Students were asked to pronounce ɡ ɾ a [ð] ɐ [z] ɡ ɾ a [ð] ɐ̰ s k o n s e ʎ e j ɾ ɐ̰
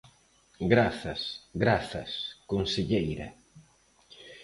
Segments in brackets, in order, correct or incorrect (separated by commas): incorrect, incorrect, incorrect